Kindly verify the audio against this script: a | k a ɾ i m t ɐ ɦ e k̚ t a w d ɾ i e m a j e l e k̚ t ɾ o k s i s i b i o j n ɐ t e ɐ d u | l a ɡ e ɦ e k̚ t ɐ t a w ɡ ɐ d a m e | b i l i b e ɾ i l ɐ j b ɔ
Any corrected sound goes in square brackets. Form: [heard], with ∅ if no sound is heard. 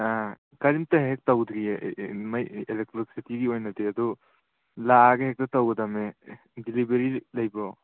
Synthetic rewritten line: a | k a ɾ i m t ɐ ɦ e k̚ t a w d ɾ i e m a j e l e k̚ t ɾ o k s i [t] i [ɡ] i o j n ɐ [d] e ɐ d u | l a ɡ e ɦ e k̚ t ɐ t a w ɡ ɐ d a m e | [d] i l i b e ɾ i l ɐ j b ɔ